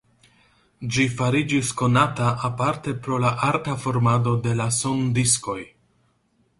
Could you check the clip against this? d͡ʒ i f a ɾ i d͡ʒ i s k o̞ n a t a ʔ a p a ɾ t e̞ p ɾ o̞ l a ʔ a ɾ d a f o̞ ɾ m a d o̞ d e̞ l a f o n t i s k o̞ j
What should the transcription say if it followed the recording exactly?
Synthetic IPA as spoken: d͡ʒ i f a ɾ i d͡ʒ i s k o̞ n a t a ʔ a p a ɾ t e̞ p ɾ o̞ l a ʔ a ɾ t a f o̞ ɾ m a d o̞ d e̞ l a s o n d i s k o̞ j